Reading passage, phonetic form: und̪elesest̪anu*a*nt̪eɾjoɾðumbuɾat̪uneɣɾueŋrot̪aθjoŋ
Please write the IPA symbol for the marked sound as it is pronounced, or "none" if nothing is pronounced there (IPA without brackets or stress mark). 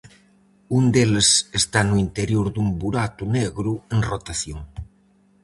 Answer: i